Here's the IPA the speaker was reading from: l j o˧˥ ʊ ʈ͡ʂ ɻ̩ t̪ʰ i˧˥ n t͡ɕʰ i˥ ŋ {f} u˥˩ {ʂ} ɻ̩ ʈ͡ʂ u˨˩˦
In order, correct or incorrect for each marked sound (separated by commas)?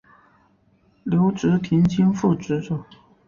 correct, incorrect